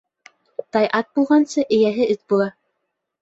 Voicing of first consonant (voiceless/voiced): voiceless